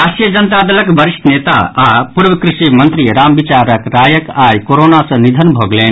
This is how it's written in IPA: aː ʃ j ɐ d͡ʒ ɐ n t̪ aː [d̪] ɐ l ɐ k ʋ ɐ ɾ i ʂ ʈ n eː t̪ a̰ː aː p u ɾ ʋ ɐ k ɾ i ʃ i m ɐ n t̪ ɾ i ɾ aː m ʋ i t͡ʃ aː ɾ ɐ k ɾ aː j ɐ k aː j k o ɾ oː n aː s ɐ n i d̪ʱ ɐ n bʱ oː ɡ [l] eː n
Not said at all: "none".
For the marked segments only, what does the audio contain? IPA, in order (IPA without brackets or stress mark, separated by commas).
d̪, l